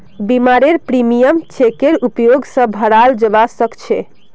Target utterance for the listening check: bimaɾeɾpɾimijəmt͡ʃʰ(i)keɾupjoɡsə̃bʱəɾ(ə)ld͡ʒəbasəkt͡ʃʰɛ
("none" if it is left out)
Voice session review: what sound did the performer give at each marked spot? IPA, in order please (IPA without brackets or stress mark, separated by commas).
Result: e, a